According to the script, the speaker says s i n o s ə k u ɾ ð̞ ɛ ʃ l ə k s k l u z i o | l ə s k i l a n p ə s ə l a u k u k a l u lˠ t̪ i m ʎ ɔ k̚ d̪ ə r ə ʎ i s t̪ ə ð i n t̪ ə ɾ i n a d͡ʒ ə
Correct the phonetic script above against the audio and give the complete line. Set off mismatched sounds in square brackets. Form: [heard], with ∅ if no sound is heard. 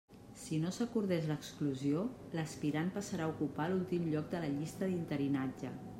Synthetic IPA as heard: s i n o s ə k u ɾ ð̞ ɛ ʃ l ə k s k l u z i o | l ə s [p] i [ɾ] a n p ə s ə [ɾ] a u k u [p] a l u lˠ t̪ i m ʎ ɔ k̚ d̪ ə [l] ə ʎ i s t̪ ə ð i n t̪ ə ɾ i n a d͡ʒ ə